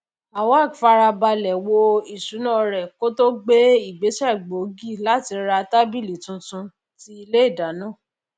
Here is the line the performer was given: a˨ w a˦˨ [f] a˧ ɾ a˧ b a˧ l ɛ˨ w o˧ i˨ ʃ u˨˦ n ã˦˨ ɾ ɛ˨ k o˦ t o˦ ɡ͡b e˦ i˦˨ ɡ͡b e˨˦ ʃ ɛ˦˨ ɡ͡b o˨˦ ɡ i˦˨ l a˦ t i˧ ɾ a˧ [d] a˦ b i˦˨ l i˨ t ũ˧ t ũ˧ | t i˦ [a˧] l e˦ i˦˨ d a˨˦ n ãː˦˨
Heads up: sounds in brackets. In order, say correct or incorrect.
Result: correct, incorrect: t, incorrect: i˧

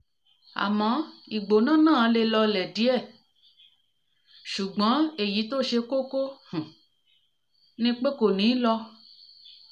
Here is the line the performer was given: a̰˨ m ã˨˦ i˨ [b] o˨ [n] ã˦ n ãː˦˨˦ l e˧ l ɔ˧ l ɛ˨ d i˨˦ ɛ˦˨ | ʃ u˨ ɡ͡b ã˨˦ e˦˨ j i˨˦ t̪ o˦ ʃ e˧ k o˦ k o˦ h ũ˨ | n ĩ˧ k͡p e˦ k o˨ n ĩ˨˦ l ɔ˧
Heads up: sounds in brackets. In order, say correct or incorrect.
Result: incorrect: ɡ͡b, correct

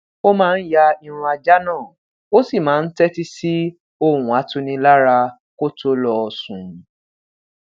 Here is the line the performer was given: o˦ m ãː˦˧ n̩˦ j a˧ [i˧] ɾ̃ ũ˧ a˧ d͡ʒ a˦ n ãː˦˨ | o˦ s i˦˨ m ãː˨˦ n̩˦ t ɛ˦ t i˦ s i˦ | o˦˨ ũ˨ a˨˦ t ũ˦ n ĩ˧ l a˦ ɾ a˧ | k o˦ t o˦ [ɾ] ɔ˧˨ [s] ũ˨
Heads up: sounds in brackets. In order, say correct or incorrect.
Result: correct, incorrect: l, correct

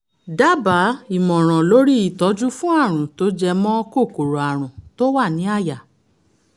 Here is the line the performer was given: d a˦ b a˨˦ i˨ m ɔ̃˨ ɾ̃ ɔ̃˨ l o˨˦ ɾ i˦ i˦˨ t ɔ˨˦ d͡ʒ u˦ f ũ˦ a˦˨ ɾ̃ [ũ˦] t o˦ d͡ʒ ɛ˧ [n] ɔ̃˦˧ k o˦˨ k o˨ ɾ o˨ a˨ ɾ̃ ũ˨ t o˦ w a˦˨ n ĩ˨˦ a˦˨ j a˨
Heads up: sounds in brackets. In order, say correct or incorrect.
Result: incorrect: ũ˨, incorrect: m

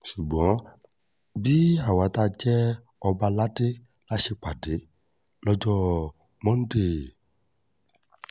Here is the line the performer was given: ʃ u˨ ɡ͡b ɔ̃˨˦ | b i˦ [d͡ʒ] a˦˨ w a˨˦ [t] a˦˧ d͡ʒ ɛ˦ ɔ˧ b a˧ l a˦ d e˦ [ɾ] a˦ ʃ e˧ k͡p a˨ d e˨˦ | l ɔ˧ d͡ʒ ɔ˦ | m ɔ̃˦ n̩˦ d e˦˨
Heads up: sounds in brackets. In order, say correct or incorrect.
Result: incorrect: none, correct, incorrect: l

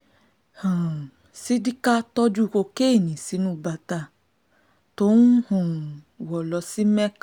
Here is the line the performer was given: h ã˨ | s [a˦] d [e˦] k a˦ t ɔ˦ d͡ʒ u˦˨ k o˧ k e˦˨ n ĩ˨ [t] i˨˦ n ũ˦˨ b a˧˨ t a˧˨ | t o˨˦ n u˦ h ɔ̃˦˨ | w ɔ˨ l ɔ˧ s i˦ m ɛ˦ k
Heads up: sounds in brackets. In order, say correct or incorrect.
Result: incorrect: i˦, incorrect: i˦, incorrect: s

